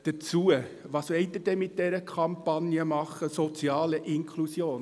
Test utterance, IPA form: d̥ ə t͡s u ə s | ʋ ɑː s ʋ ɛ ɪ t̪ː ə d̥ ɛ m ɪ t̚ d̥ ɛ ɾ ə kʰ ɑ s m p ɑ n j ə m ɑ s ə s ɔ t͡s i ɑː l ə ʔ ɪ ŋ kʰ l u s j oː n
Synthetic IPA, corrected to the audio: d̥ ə t͡s u ə | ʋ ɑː s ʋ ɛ ɪ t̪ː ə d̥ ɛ m ɪ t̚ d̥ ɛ ɾ ə kʰ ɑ m p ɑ n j ə m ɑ χ ə s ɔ t͡s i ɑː l ə ʔ ɪ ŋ kʰ l u s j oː n